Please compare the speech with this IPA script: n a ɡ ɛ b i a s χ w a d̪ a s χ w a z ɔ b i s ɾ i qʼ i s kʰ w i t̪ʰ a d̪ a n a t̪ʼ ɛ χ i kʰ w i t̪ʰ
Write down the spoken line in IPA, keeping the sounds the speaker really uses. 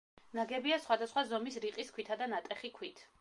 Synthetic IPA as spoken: n a ɡ ɛ b i a s χ w a d̪ a s χ w a z ɔ m i s ɾ i qʼ i s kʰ w i t̪ʰ a d̪ a n a t̪ʼ ɛ χ i kʰ w i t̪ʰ